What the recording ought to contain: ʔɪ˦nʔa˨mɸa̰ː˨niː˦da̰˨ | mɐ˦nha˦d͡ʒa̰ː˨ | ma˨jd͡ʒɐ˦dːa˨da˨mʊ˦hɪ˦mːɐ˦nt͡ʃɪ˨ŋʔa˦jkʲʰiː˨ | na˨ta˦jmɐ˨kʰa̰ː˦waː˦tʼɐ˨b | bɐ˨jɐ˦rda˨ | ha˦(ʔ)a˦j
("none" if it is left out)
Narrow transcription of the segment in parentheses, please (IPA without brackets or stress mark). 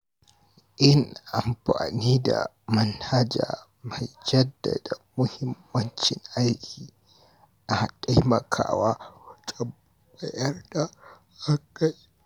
k